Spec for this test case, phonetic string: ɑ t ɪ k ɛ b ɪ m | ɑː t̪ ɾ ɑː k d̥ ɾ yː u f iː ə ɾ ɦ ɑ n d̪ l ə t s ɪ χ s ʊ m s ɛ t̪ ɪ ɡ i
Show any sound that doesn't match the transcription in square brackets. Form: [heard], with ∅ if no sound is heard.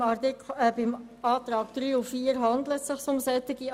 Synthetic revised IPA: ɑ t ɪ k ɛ b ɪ m | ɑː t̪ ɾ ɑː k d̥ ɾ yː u f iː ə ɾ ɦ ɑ n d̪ l ə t s ɪ χ s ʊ m s ɛ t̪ ɪ ɡ i